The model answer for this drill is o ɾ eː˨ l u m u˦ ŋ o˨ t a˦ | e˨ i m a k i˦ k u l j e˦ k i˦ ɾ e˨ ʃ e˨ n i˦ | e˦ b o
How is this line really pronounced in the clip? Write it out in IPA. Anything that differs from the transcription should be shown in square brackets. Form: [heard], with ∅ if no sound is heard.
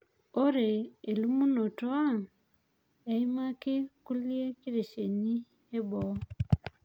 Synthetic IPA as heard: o ɾ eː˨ l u m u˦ [n] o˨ t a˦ | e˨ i m a k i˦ k u l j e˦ k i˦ ɾ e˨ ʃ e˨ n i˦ | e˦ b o

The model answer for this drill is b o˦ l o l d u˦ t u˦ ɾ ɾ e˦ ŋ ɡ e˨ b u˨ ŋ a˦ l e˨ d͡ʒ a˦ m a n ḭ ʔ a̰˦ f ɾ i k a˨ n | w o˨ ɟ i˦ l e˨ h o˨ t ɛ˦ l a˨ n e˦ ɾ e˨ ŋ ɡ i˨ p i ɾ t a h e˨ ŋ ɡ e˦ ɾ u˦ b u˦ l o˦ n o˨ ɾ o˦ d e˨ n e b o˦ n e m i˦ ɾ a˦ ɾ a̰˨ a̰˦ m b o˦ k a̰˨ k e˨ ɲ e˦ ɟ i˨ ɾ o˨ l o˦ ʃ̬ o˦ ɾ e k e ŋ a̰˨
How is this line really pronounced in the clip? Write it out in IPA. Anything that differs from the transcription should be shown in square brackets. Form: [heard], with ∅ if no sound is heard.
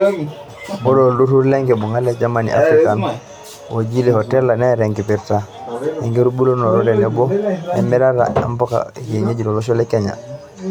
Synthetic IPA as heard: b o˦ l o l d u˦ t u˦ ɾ [l] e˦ ŋ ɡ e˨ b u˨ ŋ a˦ l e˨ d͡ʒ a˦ m a n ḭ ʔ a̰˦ f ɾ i k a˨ n | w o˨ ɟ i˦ l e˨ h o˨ t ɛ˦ l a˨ n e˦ ɾ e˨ ŋ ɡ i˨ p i ɾ t a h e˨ ŋ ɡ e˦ ɾ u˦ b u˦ l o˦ n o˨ ɾ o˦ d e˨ n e b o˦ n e m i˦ ɾ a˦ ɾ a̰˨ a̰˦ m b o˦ k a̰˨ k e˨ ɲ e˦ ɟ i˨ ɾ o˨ l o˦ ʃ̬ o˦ [l] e k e [ɲ] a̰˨

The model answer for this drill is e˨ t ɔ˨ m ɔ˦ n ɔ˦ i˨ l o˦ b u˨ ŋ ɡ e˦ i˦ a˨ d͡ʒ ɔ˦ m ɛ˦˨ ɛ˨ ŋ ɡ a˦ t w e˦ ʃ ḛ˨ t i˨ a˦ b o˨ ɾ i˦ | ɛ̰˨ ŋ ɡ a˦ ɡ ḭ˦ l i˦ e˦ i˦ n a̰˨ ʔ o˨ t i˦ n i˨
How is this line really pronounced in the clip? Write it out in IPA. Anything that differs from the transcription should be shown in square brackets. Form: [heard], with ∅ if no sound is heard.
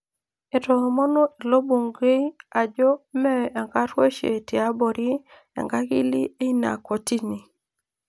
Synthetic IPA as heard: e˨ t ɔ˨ m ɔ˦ n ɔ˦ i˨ l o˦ b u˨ ŋ ɡ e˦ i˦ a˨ d͡ʒ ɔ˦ m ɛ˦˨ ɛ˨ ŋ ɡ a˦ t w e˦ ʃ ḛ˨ t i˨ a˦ b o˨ ɾ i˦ | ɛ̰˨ ŋ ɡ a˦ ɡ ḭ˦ l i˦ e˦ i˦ n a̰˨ [k] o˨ t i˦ n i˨

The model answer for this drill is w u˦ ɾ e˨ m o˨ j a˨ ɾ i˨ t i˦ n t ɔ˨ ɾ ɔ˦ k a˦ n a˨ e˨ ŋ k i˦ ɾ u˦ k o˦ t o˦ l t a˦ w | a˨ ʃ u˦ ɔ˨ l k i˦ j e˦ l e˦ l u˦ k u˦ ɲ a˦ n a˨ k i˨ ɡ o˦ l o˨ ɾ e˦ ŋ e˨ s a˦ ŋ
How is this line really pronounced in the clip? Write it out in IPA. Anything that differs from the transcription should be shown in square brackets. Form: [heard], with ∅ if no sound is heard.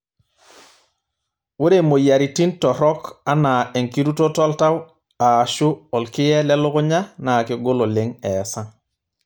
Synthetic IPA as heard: w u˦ ɾ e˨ m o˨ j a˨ ɾ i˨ t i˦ n t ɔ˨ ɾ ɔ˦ k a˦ n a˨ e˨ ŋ k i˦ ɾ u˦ [t] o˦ t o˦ l t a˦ w | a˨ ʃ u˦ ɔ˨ l k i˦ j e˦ l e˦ l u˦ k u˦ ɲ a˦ n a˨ k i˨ ɡ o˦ l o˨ [l] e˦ ŋ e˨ s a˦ ŋ

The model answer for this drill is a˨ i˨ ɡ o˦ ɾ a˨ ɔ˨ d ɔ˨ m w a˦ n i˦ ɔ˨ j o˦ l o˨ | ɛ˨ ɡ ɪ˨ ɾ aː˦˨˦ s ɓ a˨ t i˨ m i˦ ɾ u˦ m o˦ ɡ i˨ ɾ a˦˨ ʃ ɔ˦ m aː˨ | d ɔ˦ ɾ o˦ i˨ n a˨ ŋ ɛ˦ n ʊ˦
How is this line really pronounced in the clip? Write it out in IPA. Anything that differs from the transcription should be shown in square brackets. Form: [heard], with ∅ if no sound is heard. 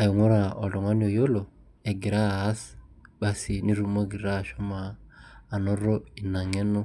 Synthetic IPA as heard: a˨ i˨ [ŋ] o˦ ɾ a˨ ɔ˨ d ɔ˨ [ŋ] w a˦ n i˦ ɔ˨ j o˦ l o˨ | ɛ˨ ɡ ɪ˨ ɾ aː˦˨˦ s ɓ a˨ [s] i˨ [n] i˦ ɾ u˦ m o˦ ɡ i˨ ɾ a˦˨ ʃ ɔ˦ m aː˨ | [n] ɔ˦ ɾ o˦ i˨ n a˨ ŋ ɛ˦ n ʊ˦

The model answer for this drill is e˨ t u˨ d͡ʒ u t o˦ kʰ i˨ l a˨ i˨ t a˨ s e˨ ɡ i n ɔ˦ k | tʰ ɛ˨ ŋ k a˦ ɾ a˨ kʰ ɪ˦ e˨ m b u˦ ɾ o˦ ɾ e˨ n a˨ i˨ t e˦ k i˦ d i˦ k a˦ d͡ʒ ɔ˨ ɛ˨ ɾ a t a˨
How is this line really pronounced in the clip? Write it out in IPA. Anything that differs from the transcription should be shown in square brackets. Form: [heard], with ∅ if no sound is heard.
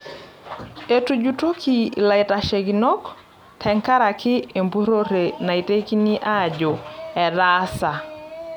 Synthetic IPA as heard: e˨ t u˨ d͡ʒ u t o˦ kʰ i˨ l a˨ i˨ t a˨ [ʃ] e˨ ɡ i n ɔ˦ k | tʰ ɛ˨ ŋ k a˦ ɾ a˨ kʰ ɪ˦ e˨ m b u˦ ɾ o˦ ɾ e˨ n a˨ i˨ t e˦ k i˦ [n] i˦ [ʔ] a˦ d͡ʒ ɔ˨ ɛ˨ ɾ a [s] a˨

